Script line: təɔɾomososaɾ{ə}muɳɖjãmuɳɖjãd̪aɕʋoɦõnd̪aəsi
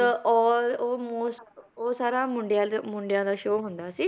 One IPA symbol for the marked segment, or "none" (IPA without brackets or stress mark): a